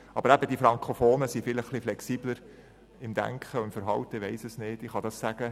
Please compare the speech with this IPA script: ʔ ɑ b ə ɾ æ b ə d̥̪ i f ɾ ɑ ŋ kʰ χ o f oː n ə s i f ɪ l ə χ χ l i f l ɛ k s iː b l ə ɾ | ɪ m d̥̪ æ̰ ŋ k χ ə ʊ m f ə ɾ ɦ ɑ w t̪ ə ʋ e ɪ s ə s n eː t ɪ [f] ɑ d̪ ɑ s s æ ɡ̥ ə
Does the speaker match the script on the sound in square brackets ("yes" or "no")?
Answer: no